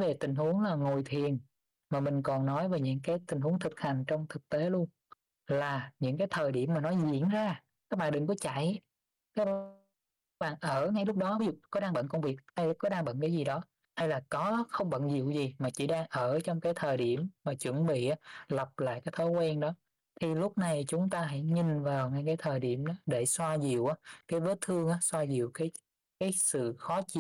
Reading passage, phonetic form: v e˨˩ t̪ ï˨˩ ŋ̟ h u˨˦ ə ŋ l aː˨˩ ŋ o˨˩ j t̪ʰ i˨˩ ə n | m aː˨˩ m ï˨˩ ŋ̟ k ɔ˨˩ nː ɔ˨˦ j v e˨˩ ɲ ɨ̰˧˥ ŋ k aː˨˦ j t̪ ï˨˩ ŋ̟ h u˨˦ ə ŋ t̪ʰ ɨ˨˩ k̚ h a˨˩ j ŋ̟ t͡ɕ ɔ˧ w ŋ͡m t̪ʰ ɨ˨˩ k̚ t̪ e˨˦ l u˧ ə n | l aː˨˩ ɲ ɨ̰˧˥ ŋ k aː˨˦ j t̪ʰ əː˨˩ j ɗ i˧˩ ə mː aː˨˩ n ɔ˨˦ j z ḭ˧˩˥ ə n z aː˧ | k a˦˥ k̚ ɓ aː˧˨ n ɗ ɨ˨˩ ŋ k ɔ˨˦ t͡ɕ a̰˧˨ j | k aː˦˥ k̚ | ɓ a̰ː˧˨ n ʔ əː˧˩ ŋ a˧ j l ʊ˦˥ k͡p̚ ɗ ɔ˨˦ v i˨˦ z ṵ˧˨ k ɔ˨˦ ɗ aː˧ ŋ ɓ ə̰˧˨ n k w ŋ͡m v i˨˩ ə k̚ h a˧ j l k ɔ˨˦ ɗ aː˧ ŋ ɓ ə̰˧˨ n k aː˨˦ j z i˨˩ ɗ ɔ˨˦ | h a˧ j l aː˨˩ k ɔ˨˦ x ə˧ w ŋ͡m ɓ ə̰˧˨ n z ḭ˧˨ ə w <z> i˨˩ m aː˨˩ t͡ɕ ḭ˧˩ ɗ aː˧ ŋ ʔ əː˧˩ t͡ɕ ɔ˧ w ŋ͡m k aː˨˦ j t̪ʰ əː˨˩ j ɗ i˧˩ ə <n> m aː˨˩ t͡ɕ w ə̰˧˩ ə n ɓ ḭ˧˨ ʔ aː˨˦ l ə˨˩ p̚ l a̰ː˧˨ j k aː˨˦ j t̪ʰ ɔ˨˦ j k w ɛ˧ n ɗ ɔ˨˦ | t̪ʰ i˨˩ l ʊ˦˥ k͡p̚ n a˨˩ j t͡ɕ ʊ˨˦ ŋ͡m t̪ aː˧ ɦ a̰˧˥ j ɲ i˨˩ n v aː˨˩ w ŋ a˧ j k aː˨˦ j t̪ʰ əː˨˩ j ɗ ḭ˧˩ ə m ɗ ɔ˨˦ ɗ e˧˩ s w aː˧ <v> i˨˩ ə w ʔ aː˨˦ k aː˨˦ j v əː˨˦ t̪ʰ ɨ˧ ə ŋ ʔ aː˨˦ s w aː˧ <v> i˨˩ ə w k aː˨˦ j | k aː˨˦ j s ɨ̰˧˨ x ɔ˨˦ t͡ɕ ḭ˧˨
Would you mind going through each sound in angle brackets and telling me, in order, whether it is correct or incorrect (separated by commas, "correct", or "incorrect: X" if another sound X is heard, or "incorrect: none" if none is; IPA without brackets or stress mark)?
correct, incorrect: m, incorrect: z, incorrect: z